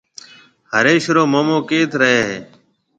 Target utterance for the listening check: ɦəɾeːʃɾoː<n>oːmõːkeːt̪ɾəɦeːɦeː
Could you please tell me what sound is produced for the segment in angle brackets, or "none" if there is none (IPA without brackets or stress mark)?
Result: m